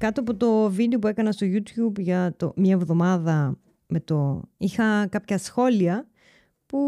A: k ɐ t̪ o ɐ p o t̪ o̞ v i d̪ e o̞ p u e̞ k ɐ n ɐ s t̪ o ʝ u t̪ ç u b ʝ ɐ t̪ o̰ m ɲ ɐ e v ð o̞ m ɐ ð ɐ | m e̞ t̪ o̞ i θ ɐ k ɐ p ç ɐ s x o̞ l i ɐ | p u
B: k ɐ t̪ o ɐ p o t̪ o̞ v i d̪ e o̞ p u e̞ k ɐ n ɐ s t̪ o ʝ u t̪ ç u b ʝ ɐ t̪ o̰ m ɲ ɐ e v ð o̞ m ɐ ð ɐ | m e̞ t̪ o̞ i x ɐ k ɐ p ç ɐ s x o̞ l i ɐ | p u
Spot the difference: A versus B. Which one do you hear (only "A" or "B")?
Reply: B